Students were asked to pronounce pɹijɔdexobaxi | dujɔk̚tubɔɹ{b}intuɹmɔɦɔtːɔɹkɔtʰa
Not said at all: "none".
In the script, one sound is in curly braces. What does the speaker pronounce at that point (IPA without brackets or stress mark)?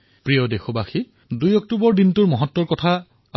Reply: d